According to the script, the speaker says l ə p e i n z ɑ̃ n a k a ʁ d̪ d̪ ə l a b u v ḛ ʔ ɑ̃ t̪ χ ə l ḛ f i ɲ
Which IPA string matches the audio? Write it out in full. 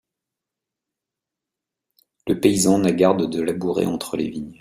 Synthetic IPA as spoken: l ə p e i z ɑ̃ n a ɡ a ʁ d̪ d̪ ə l a b u ʁ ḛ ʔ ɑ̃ t̪ χ ə l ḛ v i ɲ